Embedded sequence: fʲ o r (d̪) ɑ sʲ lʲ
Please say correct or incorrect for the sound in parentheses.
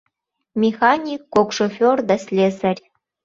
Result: correct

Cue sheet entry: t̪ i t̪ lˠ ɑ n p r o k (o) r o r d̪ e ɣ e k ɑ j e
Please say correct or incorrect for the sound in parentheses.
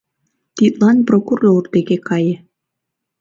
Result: incorrect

